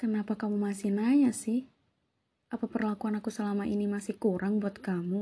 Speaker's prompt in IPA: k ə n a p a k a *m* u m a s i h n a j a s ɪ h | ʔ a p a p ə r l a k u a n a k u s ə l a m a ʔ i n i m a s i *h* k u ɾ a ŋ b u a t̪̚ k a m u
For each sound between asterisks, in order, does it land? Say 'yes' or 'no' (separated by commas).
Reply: yes, yes